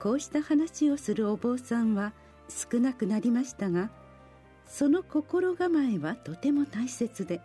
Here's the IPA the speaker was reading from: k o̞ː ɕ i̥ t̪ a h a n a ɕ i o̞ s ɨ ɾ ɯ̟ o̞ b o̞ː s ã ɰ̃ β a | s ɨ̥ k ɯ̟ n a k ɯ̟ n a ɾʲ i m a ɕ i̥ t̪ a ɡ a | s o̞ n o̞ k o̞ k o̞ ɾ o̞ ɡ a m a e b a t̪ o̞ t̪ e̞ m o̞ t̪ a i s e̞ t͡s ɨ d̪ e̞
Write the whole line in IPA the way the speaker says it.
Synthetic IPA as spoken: k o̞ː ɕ i̥ t̪ a h a n a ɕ i o̞ s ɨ ɾ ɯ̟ o̞ b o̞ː s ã ɰ̃ β a | s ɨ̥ k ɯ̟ n a k ɯ̟ n a ɾʲ i m a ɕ i̥ t̪ a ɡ a | s o̞ n o̞ k o̞ k o̞ ɾ o̞ ɡ a m a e β a t̪ o̞ t̪ e̞ m o̞ t̪ a i s e̞ t͡s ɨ d̪ e̞